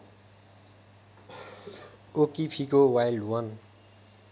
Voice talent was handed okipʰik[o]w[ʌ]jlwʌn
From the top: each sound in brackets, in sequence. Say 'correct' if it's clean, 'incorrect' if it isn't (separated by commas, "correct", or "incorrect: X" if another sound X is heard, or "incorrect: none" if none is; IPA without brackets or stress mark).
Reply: correct, incorrect: a